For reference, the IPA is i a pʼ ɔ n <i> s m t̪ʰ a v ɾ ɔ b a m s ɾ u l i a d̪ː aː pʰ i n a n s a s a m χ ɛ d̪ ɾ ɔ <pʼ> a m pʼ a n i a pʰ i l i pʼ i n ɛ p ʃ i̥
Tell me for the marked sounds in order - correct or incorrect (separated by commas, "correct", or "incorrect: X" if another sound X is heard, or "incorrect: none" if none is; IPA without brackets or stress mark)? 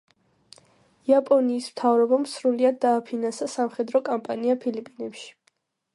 incorrect: iː, incorrect: kʼ